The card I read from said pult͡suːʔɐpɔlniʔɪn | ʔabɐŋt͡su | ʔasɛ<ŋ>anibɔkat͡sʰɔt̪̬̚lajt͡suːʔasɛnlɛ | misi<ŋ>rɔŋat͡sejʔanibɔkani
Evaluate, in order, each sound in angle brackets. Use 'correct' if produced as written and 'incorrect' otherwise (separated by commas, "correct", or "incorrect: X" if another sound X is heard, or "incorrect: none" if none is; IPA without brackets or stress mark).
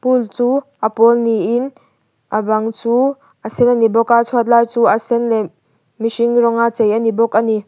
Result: incorrect: n, correct